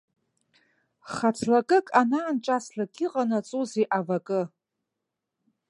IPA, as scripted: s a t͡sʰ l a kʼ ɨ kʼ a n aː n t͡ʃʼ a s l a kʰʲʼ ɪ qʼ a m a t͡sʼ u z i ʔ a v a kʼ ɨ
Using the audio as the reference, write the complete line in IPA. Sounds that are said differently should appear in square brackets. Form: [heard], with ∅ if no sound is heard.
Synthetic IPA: [χ] a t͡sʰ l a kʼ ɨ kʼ a n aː n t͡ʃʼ a s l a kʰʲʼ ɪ qʼ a [n] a t͡sʼ u z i ʔ a v a kʼ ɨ